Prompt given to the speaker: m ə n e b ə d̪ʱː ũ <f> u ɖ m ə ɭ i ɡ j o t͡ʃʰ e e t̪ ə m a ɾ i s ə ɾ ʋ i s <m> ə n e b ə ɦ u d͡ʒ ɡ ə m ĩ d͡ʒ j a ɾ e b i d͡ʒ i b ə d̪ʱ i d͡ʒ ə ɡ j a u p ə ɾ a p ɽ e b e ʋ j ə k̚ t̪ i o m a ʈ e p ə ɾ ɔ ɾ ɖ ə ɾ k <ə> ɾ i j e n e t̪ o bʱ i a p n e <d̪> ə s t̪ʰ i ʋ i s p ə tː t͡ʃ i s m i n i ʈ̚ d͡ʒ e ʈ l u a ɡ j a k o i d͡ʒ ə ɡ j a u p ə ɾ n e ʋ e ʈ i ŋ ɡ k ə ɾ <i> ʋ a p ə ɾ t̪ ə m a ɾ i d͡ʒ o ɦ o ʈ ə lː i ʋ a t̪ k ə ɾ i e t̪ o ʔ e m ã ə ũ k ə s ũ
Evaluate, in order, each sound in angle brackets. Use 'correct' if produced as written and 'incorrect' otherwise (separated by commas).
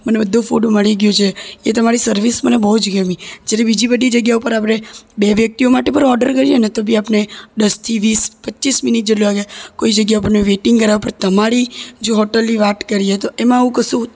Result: correct, correct, correct, correct, incorrect